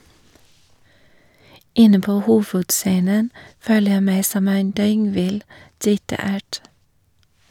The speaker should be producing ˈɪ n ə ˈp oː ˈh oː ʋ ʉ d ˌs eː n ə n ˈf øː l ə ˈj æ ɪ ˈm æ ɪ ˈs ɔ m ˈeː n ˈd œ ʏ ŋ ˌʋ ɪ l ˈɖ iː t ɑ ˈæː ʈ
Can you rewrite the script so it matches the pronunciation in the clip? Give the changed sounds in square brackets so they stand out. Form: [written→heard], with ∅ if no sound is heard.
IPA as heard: ˈɪ n ə ˈp oː ˈh [oː→uː] ʋ ʉ d ˌs eː n ə n ˈf øː l ə ˈj æ ɪ ˈm æ ɪ ˈs ɔ m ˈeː n ˈd œ ʏ ŋ ˌʋ ɪ l ˈɖ iː t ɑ ˈæː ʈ